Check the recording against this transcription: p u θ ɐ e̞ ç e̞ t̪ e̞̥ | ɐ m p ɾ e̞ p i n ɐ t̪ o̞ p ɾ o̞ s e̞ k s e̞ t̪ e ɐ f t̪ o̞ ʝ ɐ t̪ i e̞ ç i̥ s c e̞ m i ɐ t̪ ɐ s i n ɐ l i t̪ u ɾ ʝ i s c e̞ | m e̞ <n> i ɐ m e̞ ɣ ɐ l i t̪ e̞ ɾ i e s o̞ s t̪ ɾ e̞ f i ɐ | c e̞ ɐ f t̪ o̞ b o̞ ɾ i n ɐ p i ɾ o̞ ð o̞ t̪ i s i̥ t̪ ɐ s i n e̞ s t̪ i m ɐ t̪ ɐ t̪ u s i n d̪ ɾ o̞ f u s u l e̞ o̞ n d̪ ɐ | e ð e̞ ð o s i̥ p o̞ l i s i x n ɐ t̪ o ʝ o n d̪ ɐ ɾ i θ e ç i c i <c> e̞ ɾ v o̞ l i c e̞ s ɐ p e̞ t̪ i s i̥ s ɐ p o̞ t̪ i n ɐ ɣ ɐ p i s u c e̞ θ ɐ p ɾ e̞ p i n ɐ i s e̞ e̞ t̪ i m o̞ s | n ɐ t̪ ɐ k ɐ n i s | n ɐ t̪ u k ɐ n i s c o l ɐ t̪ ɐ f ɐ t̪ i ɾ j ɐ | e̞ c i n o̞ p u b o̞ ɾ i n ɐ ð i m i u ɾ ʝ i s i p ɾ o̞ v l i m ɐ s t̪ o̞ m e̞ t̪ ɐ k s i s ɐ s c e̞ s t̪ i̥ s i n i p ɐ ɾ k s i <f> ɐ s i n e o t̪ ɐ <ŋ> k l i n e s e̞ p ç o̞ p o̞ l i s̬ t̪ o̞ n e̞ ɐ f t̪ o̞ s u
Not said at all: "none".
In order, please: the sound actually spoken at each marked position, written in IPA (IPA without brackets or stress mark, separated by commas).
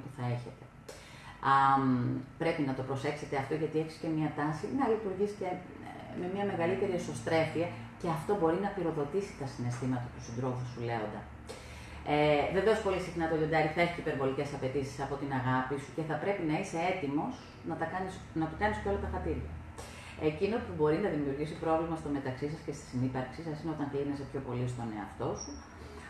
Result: m, p, s, ŋ